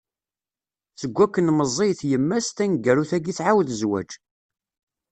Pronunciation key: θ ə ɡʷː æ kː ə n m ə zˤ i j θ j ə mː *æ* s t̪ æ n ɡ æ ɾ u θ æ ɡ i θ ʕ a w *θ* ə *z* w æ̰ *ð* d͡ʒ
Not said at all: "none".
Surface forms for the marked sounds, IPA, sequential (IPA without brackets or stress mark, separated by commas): æ, ð, z, none